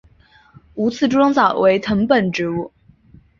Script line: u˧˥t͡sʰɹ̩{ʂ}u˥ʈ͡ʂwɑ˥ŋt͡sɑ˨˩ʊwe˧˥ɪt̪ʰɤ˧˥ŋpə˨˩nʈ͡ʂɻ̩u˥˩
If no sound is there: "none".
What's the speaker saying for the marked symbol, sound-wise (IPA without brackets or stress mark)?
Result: ʈ͡ʂ